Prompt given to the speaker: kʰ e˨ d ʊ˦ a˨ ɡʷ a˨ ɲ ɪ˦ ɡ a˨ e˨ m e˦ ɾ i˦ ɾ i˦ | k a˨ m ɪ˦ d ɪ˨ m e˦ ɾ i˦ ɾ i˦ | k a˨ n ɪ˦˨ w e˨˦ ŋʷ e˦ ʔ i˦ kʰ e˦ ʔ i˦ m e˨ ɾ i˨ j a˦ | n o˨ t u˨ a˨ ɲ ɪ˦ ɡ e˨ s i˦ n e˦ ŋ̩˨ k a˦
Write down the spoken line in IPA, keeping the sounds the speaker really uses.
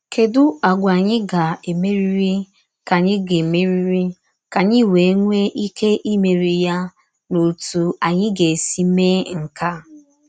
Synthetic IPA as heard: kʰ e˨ d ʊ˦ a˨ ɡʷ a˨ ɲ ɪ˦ ɡ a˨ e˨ m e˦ ɾ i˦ ɾ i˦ | k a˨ ɲ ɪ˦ ɡ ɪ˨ m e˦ ɾ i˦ ɾ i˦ | k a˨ ɲ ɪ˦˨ w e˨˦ ŋʷ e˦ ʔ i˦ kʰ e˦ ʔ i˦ m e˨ ɾ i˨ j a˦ | n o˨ t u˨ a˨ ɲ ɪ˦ ɡ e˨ s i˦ m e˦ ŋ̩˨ k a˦